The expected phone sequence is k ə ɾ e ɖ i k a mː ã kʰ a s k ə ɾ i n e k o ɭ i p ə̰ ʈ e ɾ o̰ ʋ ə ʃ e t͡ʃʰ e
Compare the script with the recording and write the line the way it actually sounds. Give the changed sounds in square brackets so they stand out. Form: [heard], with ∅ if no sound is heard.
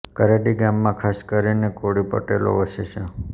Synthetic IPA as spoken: k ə ɾ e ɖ i [ɡ] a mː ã kʰ a s k ə ɾ i n e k o [ɽ] i p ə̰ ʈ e [l] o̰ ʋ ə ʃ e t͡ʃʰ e